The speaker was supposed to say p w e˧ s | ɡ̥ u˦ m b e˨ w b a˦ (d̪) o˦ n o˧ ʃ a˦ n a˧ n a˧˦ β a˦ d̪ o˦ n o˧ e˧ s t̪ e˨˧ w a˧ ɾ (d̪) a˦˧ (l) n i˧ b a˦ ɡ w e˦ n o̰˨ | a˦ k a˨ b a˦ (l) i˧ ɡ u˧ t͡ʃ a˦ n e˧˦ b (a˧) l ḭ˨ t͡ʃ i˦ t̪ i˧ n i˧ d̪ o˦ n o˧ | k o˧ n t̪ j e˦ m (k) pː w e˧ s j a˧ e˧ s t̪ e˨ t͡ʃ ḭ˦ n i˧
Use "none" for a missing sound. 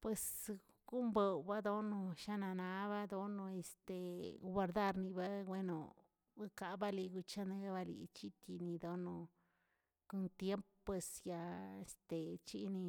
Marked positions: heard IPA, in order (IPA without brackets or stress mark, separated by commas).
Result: d̪, d̪, ɾ, l, a˧, p